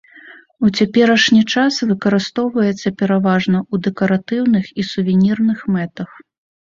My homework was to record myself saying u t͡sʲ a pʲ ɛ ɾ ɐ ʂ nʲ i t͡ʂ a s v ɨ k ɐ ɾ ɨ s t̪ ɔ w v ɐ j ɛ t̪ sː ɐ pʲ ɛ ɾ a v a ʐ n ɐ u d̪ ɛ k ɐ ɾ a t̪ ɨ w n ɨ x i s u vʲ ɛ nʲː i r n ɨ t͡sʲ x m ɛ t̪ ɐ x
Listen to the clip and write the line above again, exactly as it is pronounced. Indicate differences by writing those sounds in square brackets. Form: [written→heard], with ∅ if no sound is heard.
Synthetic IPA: u t͡sʲ a pʲ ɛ ɾ ɐ ʂ nʲ i t͡ʂ a s v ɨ k ɐ ɾ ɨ s t̪ ɔ w v ɐ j ɛ t̪ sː ɐ pʲ ɛ ɾ a v a ʐ n ɐ u d̪ ɛ k ɐ ɾ a t̪ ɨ w n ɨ x i s u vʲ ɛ [nʲː→nʲ] i r n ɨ [t͡sʲ→∅] x m ɛ t̪ ɐ x